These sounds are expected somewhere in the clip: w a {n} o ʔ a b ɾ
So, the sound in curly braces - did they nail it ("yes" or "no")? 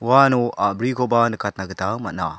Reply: yes